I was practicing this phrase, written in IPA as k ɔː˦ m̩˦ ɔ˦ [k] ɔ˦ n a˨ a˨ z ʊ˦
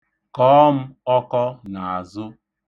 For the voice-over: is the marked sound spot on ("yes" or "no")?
yes